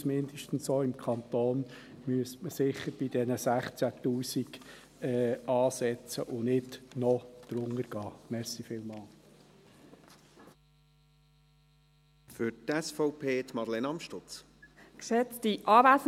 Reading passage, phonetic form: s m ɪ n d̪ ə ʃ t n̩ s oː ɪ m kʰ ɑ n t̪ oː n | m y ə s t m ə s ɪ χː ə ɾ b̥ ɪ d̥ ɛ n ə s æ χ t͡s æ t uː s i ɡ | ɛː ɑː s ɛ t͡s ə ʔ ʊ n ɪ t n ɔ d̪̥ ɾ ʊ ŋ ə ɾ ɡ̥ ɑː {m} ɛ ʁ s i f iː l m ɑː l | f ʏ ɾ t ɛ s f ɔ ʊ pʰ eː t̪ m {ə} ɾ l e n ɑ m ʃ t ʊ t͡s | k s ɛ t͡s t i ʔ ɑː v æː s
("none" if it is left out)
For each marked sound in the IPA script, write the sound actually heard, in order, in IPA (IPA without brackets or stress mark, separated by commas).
m, ɑ